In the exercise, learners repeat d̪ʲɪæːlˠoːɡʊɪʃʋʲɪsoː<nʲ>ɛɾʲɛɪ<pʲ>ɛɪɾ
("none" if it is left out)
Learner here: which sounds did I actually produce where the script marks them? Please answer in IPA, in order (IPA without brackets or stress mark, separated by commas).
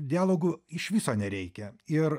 nʲ, kʲ